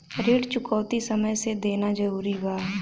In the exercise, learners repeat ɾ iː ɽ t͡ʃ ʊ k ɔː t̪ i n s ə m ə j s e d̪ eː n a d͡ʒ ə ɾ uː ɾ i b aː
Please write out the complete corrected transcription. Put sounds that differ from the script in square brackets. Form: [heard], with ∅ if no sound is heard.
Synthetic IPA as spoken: ɾ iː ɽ t͡ʃ ʊ k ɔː t̪ i [∅] s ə m ə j s e d̪ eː n a d͡ʒ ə ɾ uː ɾ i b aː